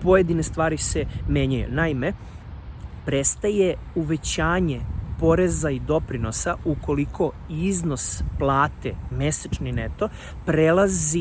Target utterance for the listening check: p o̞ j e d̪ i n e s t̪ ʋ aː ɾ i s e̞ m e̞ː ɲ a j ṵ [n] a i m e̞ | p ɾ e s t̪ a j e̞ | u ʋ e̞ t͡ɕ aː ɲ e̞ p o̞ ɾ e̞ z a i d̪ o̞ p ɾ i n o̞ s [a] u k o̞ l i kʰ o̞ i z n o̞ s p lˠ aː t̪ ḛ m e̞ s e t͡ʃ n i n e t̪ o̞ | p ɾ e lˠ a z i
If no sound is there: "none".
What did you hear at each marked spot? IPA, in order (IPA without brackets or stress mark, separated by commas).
n, a